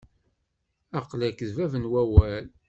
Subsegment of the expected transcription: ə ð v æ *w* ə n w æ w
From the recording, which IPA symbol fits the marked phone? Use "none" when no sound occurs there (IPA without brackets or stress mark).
v